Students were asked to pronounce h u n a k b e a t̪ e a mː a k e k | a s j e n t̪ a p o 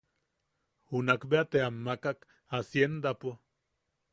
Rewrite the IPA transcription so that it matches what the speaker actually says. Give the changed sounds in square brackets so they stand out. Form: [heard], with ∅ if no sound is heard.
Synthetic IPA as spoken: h u n a k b e a t̪ e a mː a k [a] k | a s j e n [d̪] a p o